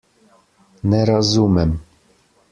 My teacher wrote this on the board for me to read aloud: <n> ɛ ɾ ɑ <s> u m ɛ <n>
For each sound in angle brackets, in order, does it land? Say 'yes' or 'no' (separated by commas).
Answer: yes, no, no